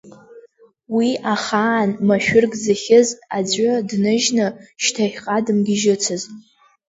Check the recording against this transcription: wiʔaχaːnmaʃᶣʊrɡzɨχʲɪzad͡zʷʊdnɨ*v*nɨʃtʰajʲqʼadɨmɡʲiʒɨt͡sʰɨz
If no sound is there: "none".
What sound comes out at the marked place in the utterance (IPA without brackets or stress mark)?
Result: ʒ